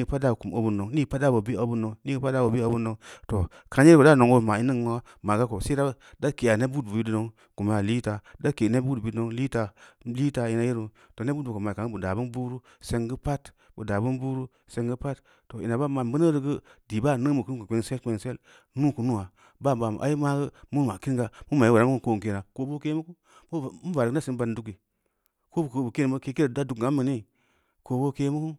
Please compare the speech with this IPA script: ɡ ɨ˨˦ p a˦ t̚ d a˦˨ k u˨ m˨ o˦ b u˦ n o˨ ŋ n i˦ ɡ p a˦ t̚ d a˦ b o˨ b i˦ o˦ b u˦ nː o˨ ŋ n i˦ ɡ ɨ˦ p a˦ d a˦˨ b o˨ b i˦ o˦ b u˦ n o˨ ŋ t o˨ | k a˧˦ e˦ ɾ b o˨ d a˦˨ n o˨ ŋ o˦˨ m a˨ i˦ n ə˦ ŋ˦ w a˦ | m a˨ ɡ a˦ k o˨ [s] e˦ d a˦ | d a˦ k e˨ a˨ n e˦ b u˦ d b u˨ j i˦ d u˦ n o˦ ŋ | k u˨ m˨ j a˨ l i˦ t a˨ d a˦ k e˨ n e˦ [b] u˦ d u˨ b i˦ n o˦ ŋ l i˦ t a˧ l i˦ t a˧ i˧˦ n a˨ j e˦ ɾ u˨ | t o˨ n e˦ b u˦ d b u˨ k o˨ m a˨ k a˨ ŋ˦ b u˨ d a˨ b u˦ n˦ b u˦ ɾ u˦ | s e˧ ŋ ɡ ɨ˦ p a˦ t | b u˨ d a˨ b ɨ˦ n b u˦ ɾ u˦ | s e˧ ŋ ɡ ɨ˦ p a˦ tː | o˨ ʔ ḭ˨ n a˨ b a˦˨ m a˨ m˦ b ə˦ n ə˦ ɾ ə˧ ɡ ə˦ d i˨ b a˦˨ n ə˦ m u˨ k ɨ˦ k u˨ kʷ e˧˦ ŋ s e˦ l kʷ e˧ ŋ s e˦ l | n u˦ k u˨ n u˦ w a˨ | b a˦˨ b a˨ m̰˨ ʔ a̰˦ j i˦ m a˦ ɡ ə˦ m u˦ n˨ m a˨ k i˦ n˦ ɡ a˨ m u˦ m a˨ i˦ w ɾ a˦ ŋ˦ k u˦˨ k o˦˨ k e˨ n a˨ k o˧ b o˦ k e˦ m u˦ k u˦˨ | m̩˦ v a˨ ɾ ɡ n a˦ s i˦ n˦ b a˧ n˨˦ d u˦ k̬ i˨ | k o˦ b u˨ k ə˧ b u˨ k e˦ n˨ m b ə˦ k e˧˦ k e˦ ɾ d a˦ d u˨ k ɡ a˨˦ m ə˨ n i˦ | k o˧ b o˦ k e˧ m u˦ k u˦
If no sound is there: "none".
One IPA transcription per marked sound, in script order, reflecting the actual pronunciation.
s, b

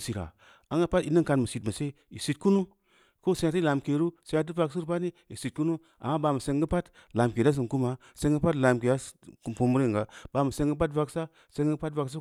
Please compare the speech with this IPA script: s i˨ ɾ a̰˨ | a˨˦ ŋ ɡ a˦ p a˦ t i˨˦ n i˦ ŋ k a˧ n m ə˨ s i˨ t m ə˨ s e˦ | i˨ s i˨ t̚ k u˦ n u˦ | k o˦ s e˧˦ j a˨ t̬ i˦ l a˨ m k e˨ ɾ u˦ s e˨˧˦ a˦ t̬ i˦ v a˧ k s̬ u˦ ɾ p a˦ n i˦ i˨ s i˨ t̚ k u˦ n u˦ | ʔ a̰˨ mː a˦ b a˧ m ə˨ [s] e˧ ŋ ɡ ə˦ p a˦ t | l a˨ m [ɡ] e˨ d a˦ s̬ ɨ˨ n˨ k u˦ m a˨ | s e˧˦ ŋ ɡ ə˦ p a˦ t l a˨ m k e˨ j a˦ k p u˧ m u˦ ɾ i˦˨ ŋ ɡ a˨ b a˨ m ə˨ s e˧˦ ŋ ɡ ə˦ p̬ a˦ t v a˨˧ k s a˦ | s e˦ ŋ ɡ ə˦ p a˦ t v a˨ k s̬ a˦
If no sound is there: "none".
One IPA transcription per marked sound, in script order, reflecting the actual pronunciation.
s, k

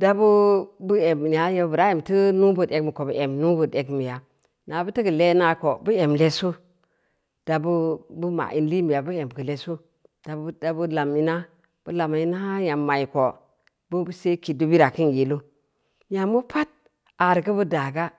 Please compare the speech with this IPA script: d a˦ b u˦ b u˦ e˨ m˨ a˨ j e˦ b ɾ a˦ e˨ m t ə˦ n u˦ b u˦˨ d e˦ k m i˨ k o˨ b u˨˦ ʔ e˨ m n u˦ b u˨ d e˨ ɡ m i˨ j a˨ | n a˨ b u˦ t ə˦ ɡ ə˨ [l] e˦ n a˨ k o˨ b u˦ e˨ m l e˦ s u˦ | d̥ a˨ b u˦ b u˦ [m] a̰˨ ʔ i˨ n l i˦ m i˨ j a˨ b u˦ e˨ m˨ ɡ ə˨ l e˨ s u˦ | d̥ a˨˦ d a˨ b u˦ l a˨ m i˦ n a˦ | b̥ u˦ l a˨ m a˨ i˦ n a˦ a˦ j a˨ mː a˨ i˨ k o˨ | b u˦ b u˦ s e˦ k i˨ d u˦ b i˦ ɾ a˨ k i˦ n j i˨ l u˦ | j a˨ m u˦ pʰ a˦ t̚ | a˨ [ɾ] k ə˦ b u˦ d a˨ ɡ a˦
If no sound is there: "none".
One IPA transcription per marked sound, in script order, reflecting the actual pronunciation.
l, m, ɾ

